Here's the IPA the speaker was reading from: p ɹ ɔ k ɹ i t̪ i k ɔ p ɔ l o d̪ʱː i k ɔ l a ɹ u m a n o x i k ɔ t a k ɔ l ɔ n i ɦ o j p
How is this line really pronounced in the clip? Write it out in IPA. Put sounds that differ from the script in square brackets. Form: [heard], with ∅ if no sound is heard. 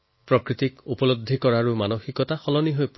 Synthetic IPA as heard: p ɹ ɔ k ɹ i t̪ i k [u] p ɔ l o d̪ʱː i k ɔ [ɹ] a ɹ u m a n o x i k ɔ t a [x] ɔ l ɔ n i ɦ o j p